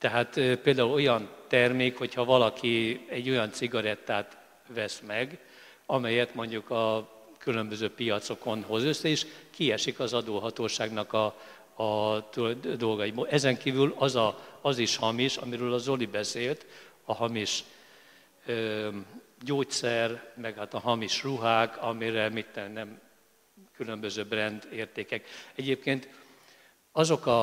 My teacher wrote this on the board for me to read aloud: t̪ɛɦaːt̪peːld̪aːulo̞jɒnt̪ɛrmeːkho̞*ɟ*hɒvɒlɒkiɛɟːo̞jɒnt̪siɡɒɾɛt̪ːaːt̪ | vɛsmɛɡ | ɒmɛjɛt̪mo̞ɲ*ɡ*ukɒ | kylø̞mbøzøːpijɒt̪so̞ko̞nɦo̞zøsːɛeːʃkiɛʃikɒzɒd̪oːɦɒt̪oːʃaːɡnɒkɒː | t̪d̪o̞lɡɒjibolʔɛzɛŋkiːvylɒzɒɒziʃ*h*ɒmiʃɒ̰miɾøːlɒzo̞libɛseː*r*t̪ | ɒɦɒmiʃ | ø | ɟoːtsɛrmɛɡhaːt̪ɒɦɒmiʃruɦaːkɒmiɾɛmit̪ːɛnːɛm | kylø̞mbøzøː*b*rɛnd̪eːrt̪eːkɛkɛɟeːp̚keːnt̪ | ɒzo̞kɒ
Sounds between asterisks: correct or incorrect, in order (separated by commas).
incorrect, incorrect, correct, incorrect, correct